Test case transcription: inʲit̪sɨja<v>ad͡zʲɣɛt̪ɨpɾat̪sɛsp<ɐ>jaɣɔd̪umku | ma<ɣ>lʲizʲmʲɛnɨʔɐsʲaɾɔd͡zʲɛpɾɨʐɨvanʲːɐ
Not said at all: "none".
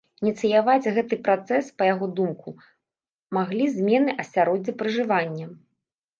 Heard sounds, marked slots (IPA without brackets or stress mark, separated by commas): v, ɐ, ɣ